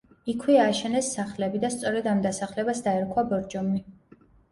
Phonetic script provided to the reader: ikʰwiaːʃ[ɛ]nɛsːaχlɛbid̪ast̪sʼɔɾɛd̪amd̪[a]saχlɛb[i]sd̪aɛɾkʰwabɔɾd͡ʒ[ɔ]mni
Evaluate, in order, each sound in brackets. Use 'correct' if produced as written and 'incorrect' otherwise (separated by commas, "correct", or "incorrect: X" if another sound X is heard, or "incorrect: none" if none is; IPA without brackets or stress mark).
correct, correct, incorrect: a, correct